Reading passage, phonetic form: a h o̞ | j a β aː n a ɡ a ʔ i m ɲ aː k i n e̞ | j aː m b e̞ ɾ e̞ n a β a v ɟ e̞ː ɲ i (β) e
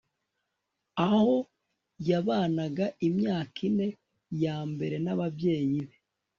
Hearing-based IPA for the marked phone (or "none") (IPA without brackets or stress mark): β